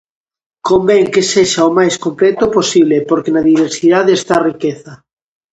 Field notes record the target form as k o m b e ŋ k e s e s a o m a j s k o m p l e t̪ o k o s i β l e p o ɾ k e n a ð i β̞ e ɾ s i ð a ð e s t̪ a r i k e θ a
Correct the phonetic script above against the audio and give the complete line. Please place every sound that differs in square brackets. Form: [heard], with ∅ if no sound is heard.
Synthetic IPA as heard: k o m b e ŋ k e s e [ʃ] a o m a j s k o m p l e t̪ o [p] o s i β l e p o ɾ k e n a ð i β̞ e ɾ s i ð a ð e s t̪ a r i k e θ a

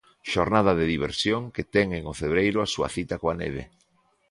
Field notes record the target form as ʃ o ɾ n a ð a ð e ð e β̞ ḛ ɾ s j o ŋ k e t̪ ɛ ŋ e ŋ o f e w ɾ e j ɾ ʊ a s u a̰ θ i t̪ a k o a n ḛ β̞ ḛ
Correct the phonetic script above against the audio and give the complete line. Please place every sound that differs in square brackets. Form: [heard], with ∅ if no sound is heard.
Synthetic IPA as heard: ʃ o ɾ n a ð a ð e ð [i] β̞ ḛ ɾ s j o ŋ k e t̪ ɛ ŋ e ŋ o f e [β] ɾ e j ɾ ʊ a s u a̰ θ i t̪ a k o a n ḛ β̞ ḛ

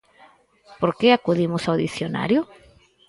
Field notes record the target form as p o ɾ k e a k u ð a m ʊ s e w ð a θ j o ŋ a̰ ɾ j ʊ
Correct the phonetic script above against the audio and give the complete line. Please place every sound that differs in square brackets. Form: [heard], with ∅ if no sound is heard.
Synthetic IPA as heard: p o ɾ k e a k u ð [i] m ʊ s [a] w ð [i] θ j o [n] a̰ ɾ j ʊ

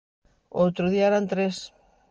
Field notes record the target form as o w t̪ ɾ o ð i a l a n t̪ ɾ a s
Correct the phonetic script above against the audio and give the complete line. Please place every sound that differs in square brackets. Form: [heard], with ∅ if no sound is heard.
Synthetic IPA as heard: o w t̪ ɾ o ð i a [ɾ] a n t̪ ɾ [e] s

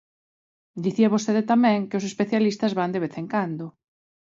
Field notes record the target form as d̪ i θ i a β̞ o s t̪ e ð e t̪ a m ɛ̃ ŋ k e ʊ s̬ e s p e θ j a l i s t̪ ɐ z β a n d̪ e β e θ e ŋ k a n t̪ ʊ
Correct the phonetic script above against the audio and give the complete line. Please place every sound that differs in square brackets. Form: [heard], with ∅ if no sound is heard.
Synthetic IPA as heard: d̪ i θ i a β̞ o s t̪ e ð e t̪ a m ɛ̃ ŋ k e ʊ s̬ e s p e θ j a l i s t̪ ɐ z β a n d̪ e β e θ e ŋ k a n [d̪] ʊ

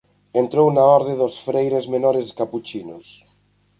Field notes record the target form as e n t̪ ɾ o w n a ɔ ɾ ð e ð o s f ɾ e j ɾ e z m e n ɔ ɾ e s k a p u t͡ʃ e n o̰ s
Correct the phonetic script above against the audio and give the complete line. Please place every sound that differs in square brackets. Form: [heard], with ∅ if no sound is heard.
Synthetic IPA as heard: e n t̪ ɾ o w n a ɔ ɾ ð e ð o s f ɾ e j ɾ e z m e n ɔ ɾ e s k a p u t͡ʃ [i] n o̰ s

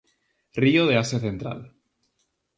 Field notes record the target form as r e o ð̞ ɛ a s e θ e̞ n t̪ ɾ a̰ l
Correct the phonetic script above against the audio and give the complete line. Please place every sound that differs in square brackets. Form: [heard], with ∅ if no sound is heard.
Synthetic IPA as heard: r [i] o ð̞ [e] a s e θ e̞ n t̪ ɾ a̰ l

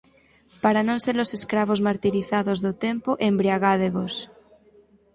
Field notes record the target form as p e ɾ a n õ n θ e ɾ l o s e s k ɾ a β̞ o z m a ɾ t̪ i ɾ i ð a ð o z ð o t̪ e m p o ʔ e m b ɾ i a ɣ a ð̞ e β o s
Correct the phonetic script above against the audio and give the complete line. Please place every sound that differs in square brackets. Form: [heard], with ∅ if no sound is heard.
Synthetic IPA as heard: p [a] ɾ a n õ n [s] e ɾ l o s e s k ɾ a β̞ o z m a ɾ t̪ i ɾ i [θ] a ð o z ð o t̪ e m p o ʔ e m b ɾ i a ɣ a ð̞ e β o s

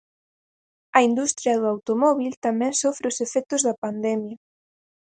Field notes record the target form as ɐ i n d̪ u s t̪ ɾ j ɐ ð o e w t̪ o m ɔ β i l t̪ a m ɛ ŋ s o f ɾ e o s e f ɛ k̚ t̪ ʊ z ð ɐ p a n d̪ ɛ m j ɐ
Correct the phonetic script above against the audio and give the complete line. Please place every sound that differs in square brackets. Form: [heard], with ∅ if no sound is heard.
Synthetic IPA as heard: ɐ i n d̪ u s t̪ ɾ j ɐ ð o [a] w t̪ o m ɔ β i l t̪ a m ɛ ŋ s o f ɾ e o s e f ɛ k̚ t̪ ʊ z ð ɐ p a n d̪ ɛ m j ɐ

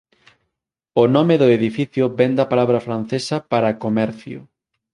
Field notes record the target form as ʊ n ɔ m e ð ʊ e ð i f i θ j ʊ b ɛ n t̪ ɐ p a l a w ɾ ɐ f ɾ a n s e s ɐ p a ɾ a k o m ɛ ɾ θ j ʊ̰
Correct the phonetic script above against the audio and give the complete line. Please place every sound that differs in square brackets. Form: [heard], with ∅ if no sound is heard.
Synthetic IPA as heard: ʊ n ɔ m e ð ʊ e ð i f i θ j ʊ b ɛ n [d̪] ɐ p a l a [β] ɾ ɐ f ɾ a n [θ] e s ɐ p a ɾ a k o m ɛ ɾ θ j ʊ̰

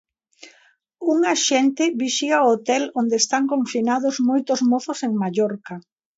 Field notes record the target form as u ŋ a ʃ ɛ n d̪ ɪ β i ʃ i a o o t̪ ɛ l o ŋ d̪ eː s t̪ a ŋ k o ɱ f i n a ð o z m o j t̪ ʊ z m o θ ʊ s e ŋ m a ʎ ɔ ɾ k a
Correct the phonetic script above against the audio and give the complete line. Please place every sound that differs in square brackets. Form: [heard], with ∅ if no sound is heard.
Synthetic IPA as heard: u ŋ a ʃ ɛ n [t̪] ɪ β i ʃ i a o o t̪ ɛ l o [n] d̪ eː s t̪ a ŋ k o ɱ f i n a ð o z m o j t̪ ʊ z m o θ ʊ s e ŋ m a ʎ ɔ ɾ k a

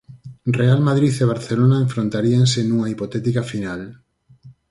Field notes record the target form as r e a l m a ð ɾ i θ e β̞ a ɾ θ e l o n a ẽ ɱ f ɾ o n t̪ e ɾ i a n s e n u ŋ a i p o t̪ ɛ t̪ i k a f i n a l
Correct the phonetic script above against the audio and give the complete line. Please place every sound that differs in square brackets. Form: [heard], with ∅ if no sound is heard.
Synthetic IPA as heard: r e a l m a ð ɾ i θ e β̞ a ɾ θ e l o n a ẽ ɱ f ɾ o n t̪ [a] ɾ i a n s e n u ŋ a i p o t̪ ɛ t̪ i k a f i n a l

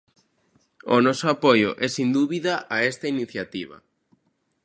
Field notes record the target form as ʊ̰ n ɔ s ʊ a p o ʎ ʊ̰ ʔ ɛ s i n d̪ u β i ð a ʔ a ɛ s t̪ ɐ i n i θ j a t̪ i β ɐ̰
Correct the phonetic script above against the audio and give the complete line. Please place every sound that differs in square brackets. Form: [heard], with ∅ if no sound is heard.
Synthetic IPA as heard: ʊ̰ n ɔ s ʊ a p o [j] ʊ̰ ʔ ɛ s i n d̪ u β i ð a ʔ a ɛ s t̪ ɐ i n i θ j a t̪ i β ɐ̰

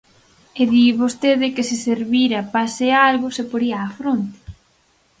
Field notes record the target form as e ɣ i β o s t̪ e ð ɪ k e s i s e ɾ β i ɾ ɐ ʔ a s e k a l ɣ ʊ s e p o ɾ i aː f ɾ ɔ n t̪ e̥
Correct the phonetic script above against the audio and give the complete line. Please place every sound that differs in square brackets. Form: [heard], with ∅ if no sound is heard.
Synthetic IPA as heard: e [ð] i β o s t̪ e ð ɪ k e s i s e ɾ β i ɾ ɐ [p] a s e [∅] a l ɣ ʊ s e p o ɾ i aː f ɾ [o] n t̪ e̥

